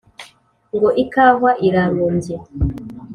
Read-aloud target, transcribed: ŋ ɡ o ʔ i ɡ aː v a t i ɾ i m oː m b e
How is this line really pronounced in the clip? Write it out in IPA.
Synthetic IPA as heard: ŋ ɡ o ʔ i k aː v a ʔ i ɾ a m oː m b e